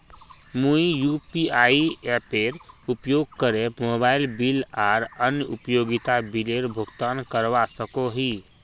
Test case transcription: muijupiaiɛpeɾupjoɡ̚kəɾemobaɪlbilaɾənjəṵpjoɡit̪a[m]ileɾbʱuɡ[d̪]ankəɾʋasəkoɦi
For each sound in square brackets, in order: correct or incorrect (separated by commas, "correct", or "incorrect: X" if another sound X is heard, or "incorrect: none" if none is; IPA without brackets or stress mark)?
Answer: incorrect: b, incorrect: t̪